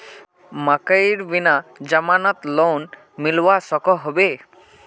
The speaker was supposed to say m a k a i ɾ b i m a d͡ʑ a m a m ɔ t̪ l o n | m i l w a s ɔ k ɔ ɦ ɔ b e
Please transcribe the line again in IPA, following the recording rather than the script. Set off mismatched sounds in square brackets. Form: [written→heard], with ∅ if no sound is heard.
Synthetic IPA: m a k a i ɾ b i [m→n] a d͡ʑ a m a [m→n] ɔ t̪ l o n | m i l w a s ɔ k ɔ ɦ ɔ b e